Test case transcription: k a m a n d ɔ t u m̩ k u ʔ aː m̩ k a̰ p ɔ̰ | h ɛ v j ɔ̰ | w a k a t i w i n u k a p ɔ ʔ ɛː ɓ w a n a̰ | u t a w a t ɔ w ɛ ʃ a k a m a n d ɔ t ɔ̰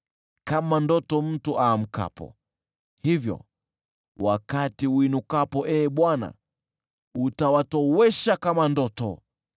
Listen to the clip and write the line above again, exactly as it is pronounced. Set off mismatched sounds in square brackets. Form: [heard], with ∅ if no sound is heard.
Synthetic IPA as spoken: k a m a n d ɔ t [ɔ] m̩ [t] u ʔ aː m̩ k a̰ p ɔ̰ | h [i] v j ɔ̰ | w a k a t i w i n u k a p ɔ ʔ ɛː ɓ w a n a̰ | u t a w a t ɔ w ɛ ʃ a k a m a n d ɔ t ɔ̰